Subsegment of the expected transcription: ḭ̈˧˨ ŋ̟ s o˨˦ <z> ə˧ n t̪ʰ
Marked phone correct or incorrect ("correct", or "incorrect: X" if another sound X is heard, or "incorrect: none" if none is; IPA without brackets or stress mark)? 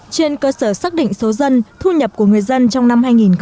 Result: correct